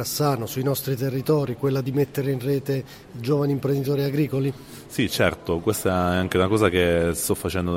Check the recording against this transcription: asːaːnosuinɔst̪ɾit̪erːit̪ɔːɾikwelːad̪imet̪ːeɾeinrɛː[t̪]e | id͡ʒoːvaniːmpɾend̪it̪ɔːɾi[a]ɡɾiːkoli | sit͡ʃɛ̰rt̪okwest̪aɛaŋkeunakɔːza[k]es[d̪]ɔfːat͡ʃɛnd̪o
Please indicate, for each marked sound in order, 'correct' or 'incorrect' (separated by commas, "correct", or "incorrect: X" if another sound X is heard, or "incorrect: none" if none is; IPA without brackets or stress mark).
correct, correct, correct, incorrect: t̪